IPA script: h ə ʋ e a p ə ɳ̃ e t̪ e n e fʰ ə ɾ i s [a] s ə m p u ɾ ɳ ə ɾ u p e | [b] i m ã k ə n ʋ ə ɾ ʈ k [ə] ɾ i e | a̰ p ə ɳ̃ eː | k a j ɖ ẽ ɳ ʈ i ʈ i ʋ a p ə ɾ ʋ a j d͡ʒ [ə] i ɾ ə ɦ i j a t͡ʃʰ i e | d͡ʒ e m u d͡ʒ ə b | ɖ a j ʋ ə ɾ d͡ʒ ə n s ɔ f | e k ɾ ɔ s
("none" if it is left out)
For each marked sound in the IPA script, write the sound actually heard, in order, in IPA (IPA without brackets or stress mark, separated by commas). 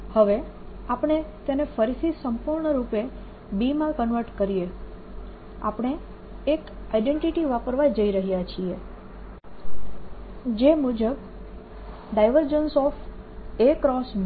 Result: i, b, ə, ə